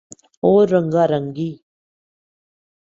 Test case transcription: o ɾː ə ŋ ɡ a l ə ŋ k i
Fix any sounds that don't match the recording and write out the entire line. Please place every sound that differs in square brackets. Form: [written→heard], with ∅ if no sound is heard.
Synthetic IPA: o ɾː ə ŋ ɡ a [l→ɾ] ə ŋ [k→ɡ] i